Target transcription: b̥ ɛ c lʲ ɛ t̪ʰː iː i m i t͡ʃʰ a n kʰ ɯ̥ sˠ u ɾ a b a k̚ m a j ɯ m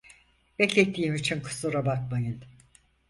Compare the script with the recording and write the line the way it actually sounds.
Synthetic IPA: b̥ ɛ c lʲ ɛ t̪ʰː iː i m i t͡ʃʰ i n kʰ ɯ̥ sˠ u ɾ a b a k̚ m a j ɯ n

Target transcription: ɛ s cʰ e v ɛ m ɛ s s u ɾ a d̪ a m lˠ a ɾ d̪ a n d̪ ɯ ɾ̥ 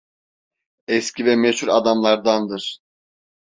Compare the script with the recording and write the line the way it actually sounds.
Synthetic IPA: ɛ s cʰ i v ɛ m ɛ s h u ɾ a d̪ a m lˠ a ɾ d̪ a n d̪ ɯ ɾ̥

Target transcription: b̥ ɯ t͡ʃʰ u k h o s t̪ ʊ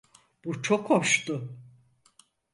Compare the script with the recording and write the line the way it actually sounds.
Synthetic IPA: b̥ u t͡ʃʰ o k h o ʃ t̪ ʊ

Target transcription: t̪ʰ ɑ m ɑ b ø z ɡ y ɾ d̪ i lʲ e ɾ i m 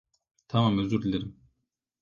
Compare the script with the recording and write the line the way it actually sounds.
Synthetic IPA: t̪ʰ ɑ m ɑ m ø z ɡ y ɾ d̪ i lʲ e ɾ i m

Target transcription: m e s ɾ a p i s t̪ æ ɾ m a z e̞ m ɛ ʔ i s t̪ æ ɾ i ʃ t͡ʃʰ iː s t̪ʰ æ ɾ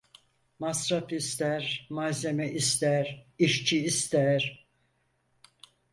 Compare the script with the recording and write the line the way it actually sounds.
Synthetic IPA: m a s ɾ a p i s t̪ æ ɾ m a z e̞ m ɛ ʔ i s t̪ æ ɾ i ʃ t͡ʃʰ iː s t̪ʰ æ ɾ

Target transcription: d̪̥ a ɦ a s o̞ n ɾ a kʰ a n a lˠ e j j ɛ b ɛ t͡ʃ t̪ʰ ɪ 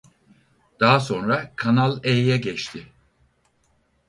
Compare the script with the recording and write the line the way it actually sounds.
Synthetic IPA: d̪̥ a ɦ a s o̞ n ɾ a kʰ a n a lˠ e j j ɛ ɟ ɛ t͡ʃ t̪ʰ ɪ

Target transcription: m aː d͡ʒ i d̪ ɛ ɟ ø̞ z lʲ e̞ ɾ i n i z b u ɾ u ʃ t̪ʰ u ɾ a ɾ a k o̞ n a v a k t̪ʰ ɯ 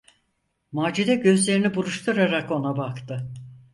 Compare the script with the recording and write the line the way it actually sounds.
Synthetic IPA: m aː d͡ʒ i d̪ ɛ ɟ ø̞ z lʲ e̞ ɾ i n i b u ɾ u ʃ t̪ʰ u ɾ a ɾ a k o̞ n a b a k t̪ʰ ɯ

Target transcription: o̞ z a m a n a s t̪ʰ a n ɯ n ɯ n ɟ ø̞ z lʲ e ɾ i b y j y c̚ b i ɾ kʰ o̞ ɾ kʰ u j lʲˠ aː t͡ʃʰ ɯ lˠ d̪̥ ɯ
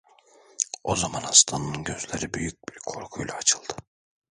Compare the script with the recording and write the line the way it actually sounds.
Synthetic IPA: o̞ z a m a n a s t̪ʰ a n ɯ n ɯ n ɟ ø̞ z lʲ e ɾ i b y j y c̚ b i ɾ kʰ o̞ ɾ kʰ u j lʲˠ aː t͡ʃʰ ɯ lˠ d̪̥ ɯ

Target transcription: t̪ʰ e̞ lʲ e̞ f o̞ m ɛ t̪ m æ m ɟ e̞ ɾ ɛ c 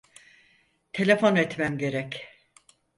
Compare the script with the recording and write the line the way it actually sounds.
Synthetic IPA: t̪ʰ e̞ lʲ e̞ f o̞ n ɛ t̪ m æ m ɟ e̞ ɾ ɛ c

